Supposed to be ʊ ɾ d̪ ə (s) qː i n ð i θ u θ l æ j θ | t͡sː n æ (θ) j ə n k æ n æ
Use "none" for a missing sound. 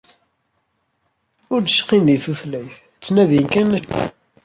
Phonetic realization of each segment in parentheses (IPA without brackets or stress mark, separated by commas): ʃ, ð